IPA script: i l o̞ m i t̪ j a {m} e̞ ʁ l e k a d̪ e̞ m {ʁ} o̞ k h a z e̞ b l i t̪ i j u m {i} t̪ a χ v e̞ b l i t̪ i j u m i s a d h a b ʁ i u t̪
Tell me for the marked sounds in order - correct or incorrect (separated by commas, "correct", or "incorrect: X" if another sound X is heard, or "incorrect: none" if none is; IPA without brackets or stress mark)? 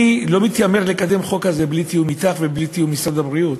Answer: correct, incorrect: χ, correct